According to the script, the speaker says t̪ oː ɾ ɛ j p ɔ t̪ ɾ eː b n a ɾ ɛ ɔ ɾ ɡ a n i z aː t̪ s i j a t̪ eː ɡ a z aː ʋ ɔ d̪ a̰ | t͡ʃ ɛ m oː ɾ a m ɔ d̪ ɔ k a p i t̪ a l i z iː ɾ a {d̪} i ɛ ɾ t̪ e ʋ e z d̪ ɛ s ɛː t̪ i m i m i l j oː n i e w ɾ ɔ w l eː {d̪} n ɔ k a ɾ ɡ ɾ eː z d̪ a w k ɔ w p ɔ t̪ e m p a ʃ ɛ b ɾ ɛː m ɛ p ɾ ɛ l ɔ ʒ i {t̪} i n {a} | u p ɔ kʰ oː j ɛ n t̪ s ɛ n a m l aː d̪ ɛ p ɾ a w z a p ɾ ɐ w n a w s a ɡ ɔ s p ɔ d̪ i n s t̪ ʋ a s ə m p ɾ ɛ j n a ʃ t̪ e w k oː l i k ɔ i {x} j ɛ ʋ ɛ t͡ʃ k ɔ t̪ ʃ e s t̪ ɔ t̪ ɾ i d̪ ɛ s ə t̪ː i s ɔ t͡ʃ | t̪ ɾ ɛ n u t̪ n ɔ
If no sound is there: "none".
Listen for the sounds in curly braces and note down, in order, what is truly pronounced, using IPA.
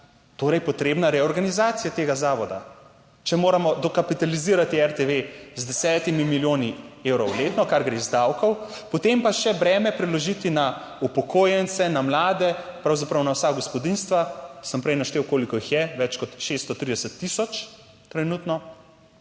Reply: t̪, t̪, t̪, a, x

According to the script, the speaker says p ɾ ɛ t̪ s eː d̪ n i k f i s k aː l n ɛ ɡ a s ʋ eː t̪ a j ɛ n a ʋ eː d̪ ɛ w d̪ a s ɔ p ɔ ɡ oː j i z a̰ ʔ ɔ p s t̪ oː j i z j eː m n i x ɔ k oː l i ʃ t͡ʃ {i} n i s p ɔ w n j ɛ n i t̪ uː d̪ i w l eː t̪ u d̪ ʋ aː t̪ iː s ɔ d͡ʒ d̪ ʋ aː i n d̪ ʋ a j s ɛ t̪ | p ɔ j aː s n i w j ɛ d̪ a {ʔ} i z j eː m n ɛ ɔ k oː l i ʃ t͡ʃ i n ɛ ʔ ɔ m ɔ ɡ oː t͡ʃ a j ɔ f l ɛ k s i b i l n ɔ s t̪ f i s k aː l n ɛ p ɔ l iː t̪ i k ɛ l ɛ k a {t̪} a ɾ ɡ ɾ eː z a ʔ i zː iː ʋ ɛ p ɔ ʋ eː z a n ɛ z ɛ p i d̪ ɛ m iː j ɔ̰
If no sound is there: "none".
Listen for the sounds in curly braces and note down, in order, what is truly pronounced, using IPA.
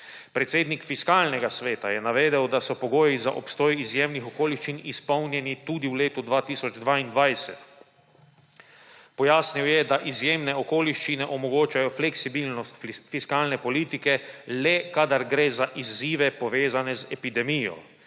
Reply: i, ʔ, d̪

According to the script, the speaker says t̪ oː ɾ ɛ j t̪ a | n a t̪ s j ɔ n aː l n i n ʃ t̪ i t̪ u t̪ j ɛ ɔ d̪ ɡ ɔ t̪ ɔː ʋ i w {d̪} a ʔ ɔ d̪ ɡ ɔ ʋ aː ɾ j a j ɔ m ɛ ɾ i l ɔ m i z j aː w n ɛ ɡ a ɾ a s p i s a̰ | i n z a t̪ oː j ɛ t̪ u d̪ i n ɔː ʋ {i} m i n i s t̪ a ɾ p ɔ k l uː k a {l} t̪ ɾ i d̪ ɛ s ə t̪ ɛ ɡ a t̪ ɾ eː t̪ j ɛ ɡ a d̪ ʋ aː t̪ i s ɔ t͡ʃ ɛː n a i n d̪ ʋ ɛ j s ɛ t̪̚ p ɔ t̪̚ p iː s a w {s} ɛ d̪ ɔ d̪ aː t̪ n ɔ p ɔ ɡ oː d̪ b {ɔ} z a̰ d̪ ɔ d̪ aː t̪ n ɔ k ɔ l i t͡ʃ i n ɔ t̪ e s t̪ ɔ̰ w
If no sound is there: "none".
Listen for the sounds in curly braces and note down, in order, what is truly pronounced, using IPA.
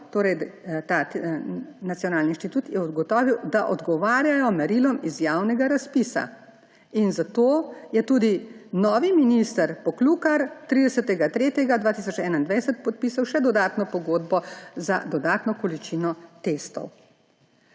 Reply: d̪, i, ɾ, ʃ, ɔ

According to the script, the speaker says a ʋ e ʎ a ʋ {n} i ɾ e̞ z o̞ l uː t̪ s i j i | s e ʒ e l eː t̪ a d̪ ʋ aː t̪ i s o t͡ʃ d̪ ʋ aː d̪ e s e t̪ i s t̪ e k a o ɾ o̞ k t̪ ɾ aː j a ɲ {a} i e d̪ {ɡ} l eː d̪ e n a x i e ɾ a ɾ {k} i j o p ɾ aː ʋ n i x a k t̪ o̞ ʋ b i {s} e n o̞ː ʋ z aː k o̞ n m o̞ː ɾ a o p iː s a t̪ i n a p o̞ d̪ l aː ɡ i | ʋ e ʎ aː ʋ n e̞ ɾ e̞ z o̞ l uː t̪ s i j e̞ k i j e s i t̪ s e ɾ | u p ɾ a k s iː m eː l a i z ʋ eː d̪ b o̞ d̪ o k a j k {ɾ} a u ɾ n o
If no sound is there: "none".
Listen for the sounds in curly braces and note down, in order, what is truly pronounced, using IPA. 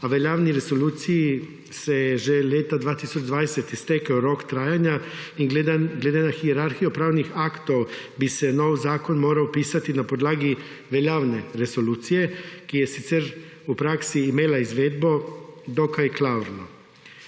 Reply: n, a, ɡ, x, s, l

